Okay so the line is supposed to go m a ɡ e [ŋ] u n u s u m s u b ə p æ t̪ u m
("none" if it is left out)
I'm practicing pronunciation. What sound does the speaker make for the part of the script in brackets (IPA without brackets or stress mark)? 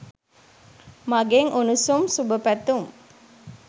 ŋ